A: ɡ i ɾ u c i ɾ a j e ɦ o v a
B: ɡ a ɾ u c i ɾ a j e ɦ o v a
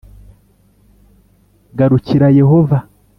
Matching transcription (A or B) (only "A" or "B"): B